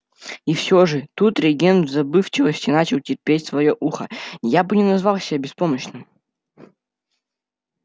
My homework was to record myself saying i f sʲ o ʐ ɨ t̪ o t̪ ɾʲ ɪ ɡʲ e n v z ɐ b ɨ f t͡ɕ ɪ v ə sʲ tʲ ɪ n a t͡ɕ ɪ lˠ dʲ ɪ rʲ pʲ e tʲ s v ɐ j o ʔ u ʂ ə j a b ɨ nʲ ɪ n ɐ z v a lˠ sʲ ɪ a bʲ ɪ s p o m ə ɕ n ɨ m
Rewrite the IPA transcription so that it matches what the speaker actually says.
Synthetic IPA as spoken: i f sʲ o ʐ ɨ t̪ u t̪ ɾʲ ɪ ɡʲ e n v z ɐ b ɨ f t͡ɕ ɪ v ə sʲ tʲ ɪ n a t͡ɕ ɪ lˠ tʲ ɪ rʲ pʲ e tʲ s v ɐ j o ʔ u x ə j a b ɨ nʲ ɪ n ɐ z v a lˠ sʲ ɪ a bʲ ɪ s p o m ə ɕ n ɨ m